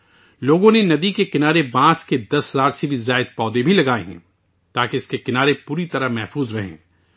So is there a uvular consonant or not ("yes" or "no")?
no